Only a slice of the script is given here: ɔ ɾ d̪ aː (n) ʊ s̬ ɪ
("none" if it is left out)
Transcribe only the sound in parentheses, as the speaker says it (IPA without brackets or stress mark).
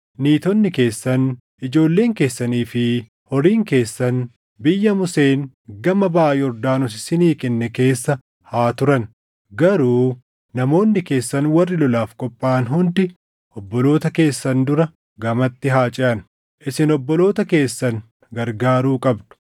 n